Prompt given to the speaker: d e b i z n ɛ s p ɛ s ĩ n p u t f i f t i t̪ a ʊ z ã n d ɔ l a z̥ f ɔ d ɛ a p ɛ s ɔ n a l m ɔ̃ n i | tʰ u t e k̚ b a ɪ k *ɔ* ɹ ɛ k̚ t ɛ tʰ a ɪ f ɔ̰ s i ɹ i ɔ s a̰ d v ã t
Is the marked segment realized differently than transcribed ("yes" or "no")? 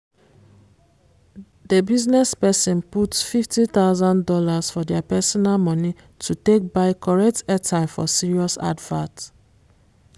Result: no